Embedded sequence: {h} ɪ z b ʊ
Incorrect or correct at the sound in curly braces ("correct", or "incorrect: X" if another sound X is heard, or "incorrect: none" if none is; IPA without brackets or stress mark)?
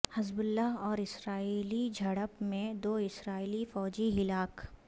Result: correct